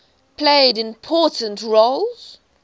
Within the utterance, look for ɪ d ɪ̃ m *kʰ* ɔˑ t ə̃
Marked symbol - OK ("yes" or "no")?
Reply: no